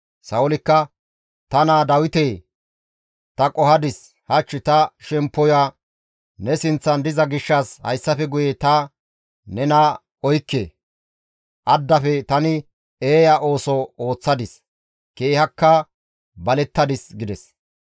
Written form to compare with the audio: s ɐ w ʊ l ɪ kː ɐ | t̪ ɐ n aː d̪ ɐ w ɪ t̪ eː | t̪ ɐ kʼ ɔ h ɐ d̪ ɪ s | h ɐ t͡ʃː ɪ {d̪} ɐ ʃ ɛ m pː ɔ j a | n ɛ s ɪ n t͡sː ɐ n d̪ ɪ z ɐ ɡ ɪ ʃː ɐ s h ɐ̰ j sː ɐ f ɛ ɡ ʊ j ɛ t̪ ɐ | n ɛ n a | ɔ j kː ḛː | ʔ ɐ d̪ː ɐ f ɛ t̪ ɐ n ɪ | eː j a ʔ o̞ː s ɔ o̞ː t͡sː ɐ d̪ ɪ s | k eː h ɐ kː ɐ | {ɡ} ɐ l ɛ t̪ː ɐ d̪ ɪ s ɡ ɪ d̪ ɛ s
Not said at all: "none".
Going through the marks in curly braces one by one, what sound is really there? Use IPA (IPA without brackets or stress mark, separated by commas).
t̪, b